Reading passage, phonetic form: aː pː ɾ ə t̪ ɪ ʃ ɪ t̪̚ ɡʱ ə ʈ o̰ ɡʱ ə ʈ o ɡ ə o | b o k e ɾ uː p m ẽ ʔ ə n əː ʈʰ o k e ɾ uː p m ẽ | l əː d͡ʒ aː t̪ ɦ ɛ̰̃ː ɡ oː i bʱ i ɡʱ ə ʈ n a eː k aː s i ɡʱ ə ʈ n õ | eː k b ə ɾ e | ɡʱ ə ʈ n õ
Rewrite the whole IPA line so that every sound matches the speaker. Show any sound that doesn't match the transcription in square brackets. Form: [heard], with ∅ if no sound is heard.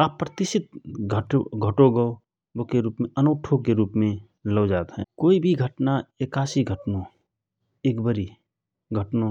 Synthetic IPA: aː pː ɾ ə t̪ ɪ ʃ ɪ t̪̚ ɡʱ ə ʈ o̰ ɡʱ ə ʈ o ɡ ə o | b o k e ɾ uː p m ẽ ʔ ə n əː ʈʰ o k e ɾ uː p m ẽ | l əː d͡ʒ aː t̪ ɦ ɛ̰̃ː [k] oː i bʱ i ɡʱ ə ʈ n a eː k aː s i ɡʱ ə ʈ n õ | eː k b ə ɾ [i] | ɡʱ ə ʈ n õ